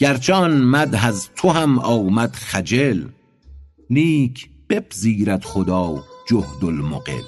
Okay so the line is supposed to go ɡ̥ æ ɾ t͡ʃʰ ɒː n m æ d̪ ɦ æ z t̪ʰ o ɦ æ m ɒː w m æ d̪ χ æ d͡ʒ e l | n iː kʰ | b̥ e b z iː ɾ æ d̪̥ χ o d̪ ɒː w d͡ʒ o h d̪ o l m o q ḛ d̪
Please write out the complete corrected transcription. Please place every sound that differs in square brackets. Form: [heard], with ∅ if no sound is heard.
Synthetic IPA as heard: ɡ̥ æ ɾ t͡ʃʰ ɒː n m æ d̪ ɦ æ z t̪ʰ o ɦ æ m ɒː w m æ d̪ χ æ d͡ʒ e l | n iː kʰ | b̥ e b z iː ɾ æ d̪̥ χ o d̪ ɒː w d͡ʒ o h d̪ o l m o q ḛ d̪